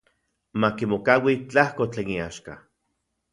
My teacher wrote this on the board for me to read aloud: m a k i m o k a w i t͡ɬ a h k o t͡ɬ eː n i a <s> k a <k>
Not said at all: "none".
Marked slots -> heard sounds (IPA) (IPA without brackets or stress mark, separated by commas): ʃ, none